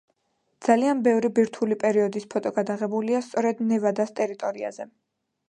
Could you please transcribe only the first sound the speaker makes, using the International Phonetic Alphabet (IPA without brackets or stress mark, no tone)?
d̪